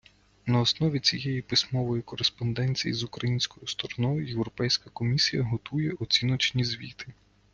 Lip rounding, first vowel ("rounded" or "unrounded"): unrounded